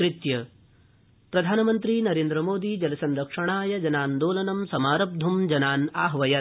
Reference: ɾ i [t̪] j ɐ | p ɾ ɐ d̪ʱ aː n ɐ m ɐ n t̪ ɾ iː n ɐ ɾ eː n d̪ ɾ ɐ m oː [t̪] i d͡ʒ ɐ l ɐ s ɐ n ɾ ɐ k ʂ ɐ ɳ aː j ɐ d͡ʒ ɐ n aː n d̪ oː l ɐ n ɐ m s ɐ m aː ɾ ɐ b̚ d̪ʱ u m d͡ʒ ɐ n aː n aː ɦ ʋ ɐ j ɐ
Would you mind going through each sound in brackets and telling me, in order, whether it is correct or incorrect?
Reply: correct, incorrect

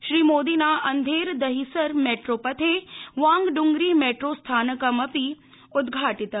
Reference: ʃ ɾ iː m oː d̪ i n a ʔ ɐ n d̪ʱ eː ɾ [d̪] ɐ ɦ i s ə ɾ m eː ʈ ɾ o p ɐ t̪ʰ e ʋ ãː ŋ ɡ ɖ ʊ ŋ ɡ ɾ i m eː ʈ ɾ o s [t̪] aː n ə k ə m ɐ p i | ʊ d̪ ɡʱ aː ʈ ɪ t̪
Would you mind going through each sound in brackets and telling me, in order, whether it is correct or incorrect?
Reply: correct, incorrect

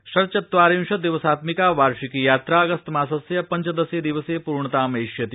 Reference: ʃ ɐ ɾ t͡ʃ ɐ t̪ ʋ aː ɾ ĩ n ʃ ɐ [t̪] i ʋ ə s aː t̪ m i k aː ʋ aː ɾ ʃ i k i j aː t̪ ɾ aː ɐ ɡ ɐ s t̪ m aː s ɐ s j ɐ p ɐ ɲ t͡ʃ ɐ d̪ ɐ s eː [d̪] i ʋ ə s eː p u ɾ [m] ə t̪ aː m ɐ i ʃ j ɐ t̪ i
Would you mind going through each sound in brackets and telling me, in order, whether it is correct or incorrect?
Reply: incorrect, correct, incorrect

